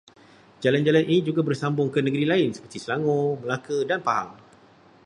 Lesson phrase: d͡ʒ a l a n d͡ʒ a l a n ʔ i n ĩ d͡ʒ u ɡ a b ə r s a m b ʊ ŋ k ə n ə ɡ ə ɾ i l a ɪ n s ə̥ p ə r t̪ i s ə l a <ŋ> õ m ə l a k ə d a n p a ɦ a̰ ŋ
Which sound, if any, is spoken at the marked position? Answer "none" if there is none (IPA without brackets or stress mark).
ŋ